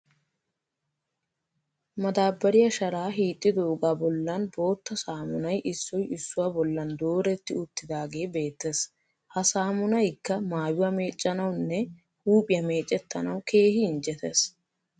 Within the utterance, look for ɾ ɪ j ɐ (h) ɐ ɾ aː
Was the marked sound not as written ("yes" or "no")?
yes